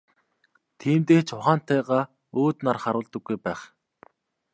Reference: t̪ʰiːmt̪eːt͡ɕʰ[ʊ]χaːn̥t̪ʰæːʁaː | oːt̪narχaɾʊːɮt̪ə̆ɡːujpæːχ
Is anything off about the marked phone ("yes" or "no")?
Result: no